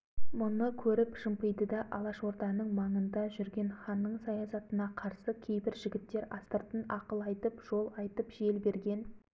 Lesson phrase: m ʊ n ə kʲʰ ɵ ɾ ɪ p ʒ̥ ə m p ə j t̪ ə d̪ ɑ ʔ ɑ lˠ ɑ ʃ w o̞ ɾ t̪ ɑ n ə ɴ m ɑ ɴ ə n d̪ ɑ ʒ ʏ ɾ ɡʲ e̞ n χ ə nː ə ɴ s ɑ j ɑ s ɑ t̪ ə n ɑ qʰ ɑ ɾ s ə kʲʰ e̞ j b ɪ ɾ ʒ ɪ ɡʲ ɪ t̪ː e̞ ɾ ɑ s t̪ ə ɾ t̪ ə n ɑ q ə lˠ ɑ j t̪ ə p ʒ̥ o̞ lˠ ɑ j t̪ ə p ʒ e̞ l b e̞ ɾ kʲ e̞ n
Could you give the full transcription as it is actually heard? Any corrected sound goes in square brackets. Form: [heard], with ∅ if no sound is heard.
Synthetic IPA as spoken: m ʊ n ə kʲʰ ɵ ɾ ɪ p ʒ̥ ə m p ə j [d̪] ə d̪ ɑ ʔ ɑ lˠ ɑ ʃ w o̞ ɾ t̪ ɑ n ə ɴ m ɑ ɴ ə n d̪ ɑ ʒ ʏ ɾ ɡʲ e̞ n χ [ɑ] nː ə ɴ s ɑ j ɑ s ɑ t̪ ə n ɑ qʰ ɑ ɾ s ə kʲʰ e̞ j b ɪ ɾ ʒ ɪ ɡʲ ɪ t̪ː e̞ ɾ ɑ s t̪ ə ɾ t̪ ə n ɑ q ə lˠ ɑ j t̪ ə p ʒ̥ o̞ lˠ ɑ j t̪ ə p ʒ e̞ l b e̞ ɾ [ɡʲ] e̞ n